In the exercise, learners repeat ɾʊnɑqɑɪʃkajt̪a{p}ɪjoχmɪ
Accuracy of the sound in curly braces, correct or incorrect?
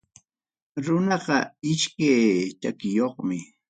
incorrect